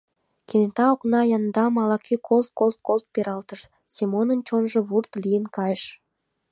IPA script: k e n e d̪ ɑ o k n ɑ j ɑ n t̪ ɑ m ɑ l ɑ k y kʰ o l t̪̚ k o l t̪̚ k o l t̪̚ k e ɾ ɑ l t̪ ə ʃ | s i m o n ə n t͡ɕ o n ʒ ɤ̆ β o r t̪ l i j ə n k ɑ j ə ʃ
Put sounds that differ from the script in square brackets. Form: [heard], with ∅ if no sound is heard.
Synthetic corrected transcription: k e n e [t̪] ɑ o k n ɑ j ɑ n [d̪] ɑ m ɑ l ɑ k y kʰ o l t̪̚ k o l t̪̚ k o l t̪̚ [p] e ɾ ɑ l t̪ ə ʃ | s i m o n ə n t͡ɕ o n ʒ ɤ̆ β [u] r t̪ l i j ə n k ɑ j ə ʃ